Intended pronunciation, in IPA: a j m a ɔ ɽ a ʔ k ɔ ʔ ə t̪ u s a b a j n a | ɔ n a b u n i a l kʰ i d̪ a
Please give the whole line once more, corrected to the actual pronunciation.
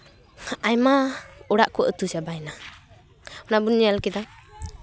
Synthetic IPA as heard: a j m a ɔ ɽ a ʔ k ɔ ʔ ə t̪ u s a b a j n a | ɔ n a b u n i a l k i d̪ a